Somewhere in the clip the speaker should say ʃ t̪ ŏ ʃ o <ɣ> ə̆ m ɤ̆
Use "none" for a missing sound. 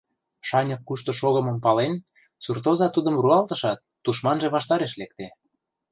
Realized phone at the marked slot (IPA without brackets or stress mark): ɣ